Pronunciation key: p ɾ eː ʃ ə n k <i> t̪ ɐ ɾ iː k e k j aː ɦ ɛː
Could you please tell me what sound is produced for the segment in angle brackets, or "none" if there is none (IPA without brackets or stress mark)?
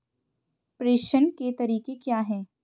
e